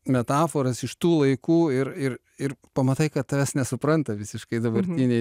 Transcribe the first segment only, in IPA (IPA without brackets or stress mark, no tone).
mʲ